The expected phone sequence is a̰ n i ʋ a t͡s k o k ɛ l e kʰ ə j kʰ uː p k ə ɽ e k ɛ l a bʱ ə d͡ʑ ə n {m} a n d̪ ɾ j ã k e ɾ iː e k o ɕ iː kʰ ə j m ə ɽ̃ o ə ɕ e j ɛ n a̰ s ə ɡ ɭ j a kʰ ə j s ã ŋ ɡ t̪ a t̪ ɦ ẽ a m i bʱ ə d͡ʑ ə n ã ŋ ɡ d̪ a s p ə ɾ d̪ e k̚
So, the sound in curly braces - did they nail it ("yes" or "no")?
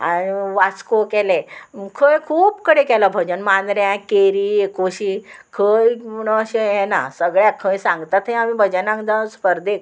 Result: yes